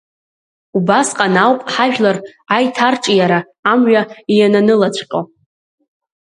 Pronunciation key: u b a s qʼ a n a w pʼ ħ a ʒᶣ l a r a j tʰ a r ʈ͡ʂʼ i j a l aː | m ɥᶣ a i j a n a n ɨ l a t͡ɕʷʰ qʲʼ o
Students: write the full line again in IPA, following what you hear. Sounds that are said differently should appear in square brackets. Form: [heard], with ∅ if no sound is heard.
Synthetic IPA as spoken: u b a s qʼ a n a w pʼ ħ a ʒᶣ l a r a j tʰ a r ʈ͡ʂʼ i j a [ɾ] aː | m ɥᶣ a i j a n a n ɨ l a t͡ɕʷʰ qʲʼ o